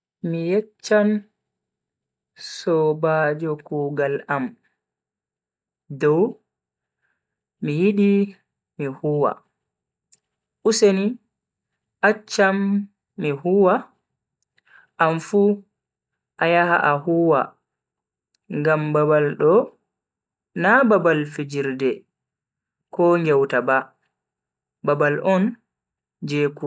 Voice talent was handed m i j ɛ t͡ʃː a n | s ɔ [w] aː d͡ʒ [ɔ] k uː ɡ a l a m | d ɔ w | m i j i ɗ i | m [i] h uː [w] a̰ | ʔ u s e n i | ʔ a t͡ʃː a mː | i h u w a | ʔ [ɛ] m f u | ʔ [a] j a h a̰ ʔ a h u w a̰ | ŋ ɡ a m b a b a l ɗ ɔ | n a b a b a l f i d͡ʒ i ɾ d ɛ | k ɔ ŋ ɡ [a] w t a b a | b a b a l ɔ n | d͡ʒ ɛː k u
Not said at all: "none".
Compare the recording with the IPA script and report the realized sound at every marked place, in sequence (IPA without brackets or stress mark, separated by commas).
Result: b, ɔ, i, w, a, a, ɛ